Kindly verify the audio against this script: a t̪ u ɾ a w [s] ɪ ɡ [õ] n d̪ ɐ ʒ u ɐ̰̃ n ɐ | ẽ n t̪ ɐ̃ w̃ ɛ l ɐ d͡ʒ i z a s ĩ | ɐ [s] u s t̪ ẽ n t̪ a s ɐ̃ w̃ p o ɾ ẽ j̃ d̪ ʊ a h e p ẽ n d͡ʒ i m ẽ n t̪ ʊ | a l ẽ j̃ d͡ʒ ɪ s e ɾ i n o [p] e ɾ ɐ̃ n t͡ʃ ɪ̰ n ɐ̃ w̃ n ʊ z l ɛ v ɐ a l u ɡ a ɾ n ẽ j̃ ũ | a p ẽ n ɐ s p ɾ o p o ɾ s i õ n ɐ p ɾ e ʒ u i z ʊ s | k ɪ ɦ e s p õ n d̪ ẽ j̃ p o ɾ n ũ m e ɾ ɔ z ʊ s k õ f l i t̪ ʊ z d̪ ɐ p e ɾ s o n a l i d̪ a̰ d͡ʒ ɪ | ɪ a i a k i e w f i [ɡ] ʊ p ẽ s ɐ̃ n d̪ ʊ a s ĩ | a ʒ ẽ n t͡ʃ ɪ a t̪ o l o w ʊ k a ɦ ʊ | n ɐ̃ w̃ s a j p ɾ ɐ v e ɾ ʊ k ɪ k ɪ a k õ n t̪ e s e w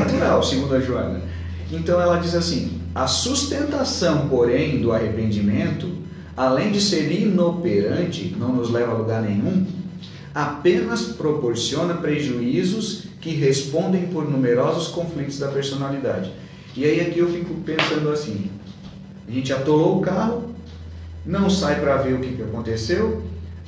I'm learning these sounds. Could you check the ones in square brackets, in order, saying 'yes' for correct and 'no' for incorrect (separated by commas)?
yes, no, yes, yes, no